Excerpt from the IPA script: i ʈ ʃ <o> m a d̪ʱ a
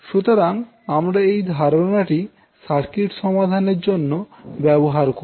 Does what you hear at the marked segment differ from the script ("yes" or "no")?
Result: yes